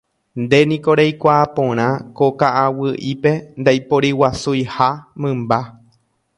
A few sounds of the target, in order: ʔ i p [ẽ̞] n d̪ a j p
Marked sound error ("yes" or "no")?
yes